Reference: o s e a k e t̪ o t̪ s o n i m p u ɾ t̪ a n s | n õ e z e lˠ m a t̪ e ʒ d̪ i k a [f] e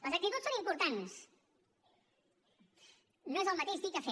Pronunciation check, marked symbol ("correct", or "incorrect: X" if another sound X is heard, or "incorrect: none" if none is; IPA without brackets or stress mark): correct